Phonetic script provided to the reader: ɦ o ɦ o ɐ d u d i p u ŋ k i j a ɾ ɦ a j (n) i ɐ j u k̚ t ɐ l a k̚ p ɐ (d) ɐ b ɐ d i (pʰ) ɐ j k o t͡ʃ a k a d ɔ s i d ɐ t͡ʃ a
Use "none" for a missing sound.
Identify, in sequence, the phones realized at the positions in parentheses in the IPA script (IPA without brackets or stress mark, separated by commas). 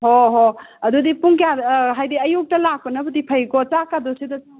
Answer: d, n, pʰ